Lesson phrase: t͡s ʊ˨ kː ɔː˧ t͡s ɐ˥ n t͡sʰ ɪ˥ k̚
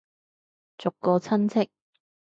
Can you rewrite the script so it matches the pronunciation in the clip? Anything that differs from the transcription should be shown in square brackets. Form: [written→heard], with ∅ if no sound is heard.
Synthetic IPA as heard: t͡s ʊ˨ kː ɔː˧ [t͡s→t͡sʰ] ɐ˥ n t͡sʰ ɪ˥ k̚